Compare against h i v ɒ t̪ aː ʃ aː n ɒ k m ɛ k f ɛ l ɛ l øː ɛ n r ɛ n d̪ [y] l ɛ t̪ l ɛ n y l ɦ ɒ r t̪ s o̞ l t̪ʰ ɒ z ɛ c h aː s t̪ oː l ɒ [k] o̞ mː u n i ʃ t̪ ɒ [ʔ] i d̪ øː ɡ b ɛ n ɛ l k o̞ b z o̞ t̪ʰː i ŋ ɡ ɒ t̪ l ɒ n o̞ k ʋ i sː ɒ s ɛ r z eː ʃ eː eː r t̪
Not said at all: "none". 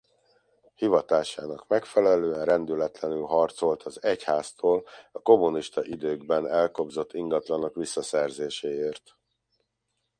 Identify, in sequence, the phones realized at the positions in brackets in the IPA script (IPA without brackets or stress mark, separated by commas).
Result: y, k, ʔ